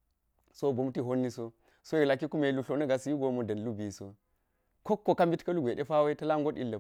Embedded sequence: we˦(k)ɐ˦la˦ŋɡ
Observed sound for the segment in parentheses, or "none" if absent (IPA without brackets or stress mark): t